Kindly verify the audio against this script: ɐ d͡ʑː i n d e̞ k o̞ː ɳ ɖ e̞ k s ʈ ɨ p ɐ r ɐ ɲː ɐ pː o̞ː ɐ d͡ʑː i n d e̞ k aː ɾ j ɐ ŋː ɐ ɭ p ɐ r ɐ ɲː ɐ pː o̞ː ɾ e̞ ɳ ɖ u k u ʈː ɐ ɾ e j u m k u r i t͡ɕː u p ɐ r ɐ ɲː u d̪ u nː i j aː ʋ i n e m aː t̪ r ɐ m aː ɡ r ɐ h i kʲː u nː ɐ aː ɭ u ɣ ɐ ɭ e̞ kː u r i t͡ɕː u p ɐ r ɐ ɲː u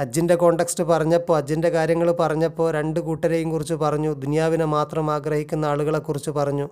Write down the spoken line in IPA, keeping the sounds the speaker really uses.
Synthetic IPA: ɐ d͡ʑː i n d e̞ k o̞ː ɳ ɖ e̞ k s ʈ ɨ p ɐ r ɐ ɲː ɐ pː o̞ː ɐ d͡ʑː i n d e̞ k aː ɾ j ɐ ŋː ɐ ɭ p ɐ r ɐ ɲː ɐ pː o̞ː ɾ e̞ ɳ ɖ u k uː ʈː ɐ ɾ e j u m k u r i t͡ɕː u p ɐ r ɐ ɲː u d̪ u n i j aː ʋ i n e m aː t̪ r ɐ m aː ɡ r ɐ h i kʲː u nː ɐ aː ɭ u ɣ ɐ ɭ e̞ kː u r i t͡ɕː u p ɐ r ɐ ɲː u